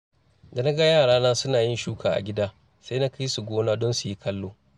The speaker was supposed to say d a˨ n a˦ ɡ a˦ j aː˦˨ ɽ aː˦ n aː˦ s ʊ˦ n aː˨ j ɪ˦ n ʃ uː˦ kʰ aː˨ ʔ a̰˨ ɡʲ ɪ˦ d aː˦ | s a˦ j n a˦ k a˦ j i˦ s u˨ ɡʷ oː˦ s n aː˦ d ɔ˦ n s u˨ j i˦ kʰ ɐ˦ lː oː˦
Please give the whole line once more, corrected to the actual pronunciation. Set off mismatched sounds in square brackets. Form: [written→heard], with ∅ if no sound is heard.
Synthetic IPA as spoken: d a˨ n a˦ ɡ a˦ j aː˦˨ ɽ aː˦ n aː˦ s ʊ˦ n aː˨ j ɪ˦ n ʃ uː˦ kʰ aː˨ ʔ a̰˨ ɡʲ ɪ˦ d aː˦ | s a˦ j n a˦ k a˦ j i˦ s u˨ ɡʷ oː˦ [s→∅] n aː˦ d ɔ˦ n s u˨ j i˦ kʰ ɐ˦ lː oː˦